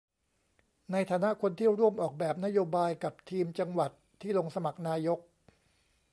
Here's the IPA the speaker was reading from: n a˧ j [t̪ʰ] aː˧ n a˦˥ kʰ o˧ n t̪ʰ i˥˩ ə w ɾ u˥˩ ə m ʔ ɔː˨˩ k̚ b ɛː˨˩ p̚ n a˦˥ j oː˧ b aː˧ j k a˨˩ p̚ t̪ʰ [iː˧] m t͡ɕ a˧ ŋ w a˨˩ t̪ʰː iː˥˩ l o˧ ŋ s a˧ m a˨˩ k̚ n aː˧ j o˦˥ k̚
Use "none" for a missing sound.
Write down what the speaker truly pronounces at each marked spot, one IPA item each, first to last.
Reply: t̪ʰ, iː˧

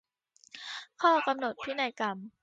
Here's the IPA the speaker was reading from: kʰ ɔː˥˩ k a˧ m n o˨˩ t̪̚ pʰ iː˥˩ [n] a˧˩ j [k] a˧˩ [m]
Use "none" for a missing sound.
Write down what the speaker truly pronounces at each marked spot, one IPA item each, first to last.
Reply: n, k, m

